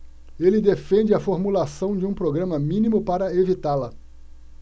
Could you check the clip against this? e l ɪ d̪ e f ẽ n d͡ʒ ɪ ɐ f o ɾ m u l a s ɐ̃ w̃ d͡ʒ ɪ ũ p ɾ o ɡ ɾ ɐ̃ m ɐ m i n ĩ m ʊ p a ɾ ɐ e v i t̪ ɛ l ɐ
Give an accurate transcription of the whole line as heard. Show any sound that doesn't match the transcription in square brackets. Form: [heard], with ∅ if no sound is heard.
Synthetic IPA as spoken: e l ɪ d̪ e f ẽ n d͡ʒ ɪ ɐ f o ɾ m u l a s ɐ̃ w̃ d͡ʒ ɪ ũ p ɾ o ɡ ɾ ɐ̃ m ɐ m [ĩ] n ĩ m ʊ p a ɾ ɐ e v i t̪ [a] l ɐ